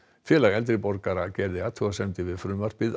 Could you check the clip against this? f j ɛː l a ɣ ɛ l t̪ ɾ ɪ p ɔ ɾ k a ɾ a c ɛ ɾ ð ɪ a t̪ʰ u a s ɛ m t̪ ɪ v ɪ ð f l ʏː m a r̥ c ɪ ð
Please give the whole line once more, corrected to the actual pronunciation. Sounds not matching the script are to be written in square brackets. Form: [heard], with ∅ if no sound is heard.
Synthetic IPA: f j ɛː l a ɣ ɛ l t̪ ɾ ɪ p ɔ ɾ k a ɾ a c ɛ ɾ ð ɪ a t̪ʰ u a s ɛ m t̪ ɪ v ɪ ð f [ɾ] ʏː m a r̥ [p] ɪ ð

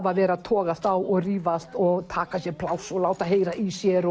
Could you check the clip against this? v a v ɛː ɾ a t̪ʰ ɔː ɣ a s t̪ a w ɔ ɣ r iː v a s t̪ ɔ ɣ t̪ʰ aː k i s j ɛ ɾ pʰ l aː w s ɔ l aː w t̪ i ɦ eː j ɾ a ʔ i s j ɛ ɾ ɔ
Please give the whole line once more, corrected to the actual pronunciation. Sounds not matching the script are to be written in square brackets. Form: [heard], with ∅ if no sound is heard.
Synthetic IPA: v a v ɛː ɾ a t̪ʰ ɔː ɣ a s t̪ a w ɔ ɣ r iː v a s t̪ ɔ ɣ t̪ʰ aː k [a] s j ɛ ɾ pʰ l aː w s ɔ l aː w t̪ [a] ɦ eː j ɾ a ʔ i s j ɛ ɾ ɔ

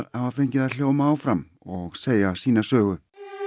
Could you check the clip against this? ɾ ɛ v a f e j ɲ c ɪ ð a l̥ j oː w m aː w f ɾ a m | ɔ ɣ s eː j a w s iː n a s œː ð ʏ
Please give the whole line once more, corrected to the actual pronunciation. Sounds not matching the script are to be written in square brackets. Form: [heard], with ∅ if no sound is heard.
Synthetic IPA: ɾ [a] v a f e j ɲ c ɪ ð a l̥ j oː w m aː w f ɾ a m | ɔ ɣ s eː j a [∅] s iː n a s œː [ɣ] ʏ

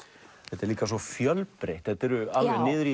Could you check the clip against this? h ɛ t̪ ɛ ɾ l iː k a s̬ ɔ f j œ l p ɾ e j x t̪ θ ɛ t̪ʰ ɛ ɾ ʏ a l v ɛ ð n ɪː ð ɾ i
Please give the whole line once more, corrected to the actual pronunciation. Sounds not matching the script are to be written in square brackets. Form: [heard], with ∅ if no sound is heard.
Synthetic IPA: [θ] ɛ t̪ ɛ ɾ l iː k a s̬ ɔ f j œ l p ɾ e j [h] t̪ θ ɛ [t̪] ɛ ɾ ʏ a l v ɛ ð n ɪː ð ɾ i

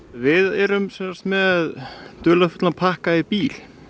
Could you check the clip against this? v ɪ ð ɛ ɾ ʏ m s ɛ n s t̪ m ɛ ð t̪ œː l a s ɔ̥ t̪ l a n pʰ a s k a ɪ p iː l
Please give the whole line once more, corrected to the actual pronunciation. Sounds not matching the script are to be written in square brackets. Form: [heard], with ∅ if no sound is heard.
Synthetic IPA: v ɪ ð ɛ ɾ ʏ m s ɛ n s t̪ m ɛ ð t̪ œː l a [f] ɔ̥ t̪ l a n pʰ a [h] k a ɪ p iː l

